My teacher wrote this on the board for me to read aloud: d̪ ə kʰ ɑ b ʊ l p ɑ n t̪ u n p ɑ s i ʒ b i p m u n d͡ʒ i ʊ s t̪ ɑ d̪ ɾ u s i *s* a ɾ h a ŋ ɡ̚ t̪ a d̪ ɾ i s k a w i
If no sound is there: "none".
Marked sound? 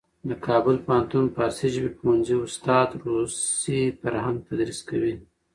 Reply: f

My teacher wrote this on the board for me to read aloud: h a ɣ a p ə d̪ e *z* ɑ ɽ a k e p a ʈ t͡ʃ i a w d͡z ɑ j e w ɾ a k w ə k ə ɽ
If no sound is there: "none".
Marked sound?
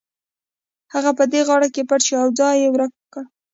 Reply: ɣ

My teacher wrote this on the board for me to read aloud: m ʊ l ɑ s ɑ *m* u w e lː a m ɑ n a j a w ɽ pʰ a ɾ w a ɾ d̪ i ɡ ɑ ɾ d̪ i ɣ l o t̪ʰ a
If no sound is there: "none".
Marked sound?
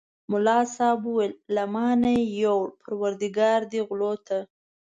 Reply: b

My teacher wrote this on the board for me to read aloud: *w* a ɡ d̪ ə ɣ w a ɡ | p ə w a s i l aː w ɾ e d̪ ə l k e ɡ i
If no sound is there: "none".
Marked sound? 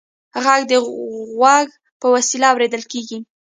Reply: ɣ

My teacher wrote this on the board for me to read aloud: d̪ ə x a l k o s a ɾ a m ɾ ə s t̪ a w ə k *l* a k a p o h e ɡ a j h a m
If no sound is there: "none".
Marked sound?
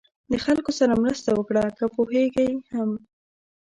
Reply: ɽ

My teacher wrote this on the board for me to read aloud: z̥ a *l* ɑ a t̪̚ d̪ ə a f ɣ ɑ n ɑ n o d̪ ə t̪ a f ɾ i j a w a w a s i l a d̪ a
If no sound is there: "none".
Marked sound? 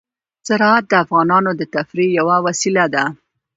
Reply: ɾ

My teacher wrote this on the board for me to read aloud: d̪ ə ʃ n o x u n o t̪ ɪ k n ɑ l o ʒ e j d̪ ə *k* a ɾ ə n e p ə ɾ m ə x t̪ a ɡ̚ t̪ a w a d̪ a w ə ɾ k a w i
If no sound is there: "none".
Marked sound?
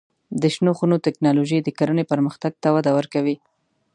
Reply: k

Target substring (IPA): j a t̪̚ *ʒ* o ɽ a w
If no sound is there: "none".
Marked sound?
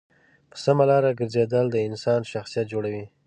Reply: d͡ʒ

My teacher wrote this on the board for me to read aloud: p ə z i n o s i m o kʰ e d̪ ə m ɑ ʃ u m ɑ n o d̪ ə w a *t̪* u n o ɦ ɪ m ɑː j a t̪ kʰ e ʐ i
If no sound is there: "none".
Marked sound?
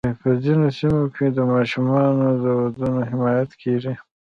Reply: d̪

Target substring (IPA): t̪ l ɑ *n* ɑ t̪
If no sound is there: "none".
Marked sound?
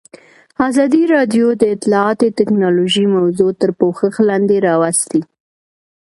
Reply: none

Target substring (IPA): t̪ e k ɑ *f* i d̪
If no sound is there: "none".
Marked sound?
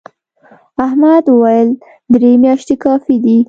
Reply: f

